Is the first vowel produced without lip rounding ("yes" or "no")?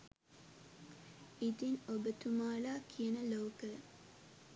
yes